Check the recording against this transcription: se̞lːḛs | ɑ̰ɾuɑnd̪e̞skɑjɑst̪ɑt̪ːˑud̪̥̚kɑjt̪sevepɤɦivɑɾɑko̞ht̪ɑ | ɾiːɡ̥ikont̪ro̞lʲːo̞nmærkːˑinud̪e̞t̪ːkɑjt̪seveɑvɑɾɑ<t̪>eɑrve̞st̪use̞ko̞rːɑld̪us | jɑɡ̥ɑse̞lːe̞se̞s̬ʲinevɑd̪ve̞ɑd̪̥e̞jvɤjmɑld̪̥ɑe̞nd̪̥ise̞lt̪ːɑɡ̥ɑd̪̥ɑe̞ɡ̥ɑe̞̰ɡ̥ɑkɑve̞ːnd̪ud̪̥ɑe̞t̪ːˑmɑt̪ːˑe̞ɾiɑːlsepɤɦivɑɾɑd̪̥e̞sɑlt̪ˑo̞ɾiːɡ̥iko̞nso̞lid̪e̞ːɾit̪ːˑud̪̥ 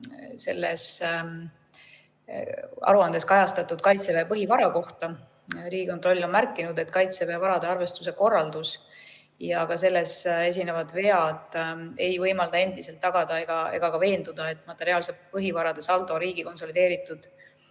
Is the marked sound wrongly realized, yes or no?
yes